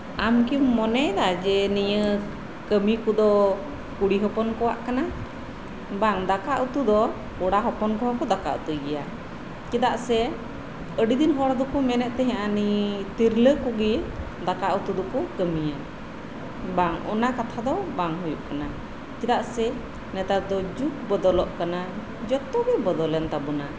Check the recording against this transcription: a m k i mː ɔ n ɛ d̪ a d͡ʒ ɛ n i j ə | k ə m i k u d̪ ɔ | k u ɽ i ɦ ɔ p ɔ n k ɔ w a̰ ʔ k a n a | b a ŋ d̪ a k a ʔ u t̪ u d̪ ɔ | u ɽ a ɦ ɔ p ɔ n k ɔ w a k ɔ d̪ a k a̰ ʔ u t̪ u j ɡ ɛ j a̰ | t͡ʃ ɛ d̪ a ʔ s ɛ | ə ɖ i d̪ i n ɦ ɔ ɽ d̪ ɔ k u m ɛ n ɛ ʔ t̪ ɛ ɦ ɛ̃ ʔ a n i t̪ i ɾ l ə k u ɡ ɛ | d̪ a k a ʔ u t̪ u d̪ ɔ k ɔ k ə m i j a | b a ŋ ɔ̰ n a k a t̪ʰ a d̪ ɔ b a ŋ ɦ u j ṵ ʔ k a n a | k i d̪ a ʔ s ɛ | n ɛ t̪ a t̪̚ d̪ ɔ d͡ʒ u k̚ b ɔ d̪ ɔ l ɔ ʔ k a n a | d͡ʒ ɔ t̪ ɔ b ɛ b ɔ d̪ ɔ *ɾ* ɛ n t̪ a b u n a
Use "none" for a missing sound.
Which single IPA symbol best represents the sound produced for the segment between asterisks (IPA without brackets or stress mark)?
l